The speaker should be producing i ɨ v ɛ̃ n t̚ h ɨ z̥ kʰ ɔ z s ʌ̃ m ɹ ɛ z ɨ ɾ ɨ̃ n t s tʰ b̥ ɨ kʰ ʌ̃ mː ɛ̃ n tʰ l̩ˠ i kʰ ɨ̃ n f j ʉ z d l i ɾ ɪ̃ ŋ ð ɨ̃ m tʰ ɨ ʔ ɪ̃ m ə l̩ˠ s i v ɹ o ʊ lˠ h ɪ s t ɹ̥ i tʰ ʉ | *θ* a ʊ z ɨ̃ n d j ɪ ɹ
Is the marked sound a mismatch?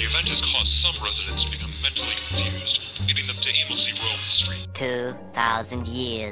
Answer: no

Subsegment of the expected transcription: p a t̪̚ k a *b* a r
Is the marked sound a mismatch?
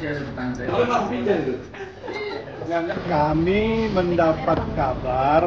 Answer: no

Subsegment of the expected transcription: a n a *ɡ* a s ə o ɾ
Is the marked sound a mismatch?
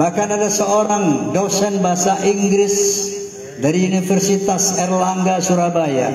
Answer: yes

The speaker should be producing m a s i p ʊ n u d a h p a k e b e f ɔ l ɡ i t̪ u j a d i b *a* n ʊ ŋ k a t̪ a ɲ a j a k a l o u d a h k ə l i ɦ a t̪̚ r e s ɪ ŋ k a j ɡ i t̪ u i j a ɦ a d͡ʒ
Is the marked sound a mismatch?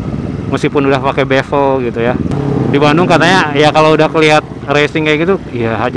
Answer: no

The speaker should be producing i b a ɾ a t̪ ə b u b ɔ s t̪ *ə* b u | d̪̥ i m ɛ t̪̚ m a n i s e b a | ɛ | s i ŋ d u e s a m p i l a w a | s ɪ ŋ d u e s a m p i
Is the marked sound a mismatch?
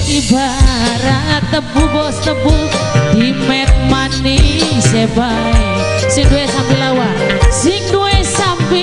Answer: no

